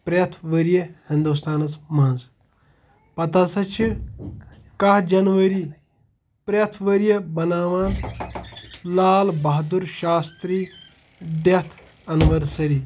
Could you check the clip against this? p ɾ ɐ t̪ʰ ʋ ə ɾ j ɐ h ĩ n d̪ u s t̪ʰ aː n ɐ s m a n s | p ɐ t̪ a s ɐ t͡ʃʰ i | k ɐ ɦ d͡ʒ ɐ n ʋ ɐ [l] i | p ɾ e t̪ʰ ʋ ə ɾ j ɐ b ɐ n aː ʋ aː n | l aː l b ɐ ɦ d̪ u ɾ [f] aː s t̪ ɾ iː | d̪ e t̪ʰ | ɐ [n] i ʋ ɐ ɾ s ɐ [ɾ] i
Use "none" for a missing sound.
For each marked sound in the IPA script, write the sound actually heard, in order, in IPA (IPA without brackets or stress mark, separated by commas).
ɾ, ʃ, n, ɾ